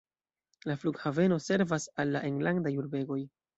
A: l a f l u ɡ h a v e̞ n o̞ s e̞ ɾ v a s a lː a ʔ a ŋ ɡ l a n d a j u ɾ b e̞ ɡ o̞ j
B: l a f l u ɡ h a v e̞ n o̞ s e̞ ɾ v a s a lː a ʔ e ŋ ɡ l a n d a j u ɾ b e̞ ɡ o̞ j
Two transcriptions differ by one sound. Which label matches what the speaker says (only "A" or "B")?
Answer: B